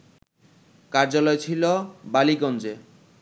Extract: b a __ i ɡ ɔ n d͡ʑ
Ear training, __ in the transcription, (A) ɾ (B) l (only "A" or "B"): B